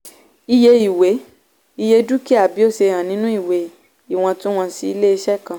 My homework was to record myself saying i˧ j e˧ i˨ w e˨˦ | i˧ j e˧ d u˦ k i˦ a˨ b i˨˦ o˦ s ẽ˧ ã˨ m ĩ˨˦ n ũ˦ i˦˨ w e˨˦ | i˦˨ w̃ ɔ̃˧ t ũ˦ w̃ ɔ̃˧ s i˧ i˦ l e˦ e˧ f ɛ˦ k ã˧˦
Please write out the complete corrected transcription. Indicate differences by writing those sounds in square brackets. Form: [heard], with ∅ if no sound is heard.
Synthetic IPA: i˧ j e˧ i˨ w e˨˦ | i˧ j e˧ d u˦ k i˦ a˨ b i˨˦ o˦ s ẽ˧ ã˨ [n] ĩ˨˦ n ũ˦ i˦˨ w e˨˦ | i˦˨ w̃ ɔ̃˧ t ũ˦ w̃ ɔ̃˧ s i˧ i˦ l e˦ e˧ [ʃ] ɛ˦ k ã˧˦